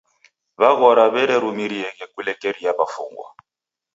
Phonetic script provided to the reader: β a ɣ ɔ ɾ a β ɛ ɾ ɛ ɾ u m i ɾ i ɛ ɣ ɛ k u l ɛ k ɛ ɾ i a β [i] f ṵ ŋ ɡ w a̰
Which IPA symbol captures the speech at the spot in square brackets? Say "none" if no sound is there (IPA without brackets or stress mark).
a